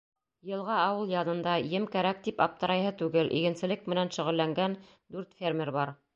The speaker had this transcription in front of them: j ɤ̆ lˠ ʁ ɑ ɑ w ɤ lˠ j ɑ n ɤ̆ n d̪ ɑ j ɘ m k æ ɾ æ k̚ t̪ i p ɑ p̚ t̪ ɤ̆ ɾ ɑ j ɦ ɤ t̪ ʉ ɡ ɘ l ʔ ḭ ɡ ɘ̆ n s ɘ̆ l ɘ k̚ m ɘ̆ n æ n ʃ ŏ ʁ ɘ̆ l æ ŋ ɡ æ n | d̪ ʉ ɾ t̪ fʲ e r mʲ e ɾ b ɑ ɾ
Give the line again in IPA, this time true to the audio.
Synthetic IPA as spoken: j ɤ̆ lˠ ʁ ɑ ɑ w ɤ lˠ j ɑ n ɤ̆ n d̪ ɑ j ɘ m k æ ɾ æ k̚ t̪ i p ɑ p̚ t̪ ɤ̆ ɾ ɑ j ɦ ɤ t̪ ʉ ɡ ɘ l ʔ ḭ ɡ ɘ̆ n s ɘ̆ l ɘ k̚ m ɘ̆ n æ n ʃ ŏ ʁ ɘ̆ lː æ ŋ ɡ æ n | d̪ ʉ ɾ t̪ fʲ e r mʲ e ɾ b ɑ ɾ